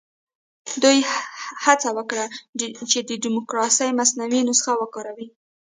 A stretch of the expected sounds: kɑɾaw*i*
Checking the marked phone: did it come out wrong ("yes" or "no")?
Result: no